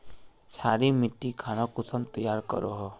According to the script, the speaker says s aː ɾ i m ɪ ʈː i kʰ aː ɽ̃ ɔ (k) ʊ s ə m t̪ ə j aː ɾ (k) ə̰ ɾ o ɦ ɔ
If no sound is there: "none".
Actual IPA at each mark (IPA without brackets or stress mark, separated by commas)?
k, k